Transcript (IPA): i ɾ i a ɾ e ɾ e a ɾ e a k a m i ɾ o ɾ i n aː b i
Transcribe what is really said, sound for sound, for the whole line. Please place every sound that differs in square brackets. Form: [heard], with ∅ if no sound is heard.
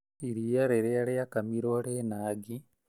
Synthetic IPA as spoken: i ɾ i a ɾ e ɾ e a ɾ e a k a m i ɾ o ɾ [e] n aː [ɡ] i